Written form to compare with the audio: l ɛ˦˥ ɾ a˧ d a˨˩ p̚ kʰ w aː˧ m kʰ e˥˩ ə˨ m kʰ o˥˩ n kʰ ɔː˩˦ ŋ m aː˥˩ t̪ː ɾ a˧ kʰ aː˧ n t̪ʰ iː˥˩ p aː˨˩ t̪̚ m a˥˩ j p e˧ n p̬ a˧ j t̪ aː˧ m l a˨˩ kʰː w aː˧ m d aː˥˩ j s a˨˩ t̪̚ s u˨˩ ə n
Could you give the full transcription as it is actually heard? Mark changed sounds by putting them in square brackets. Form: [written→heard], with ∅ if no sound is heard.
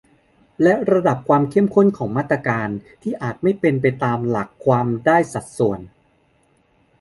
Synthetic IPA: l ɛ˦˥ ɾ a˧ d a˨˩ p̚ kʰ w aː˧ m kʰ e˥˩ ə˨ m kʰ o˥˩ n kʰ ɔː˩˦ ŋ m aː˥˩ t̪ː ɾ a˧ [kʰ→k] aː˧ n t̪ʰ iː˥˩ [p→ʔ] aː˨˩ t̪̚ m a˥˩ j p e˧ n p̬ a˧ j t̪ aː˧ m l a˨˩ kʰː w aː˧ m d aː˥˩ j s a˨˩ t̪̚ s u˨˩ ə n